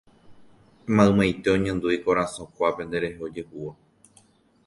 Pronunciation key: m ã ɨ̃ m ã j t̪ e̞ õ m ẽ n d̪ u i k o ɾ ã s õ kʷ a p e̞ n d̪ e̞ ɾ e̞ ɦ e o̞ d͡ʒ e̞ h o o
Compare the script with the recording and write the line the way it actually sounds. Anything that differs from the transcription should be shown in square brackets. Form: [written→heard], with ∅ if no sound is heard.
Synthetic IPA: m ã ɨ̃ m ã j t̪ e̞ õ [m→ɲ] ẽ n d̪ u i k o ɾ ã s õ kʷ a p e̞ n d̪ e̞ ɾ e̞ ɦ e o̞ d͡ʒ e̞ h [o→u] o